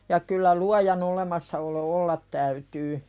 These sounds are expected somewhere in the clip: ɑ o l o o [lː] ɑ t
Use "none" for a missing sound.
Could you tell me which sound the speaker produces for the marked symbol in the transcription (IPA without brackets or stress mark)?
lː